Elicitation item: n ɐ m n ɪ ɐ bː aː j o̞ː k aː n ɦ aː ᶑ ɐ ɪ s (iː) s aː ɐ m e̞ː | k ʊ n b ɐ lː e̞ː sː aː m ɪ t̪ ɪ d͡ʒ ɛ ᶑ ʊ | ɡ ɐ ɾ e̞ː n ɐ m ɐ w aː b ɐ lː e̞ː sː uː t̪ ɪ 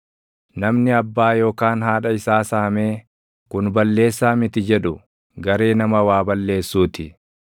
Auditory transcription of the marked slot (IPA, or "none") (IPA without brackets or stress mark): aː